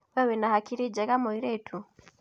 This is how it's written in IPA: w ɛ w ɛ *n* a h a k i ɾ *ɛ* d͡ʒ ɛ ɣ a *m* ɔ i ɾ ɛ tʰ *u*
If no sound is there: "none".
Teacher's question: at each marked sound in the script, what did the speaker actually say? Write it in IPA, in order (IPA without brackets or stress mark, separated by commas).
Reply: n, i, m, u